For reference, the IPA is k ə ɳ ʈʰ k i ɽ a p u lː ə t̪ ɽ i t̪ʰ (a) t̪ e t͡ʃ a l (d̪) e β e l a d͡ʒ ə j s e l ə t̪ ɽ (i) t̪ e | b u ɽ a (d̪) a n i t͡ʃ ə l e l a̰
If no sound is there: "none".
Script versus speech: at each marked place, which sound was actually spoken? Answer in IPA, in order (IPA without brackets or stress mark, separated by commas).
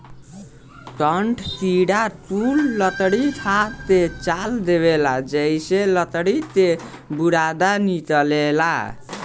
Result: a, d̪, i, d̪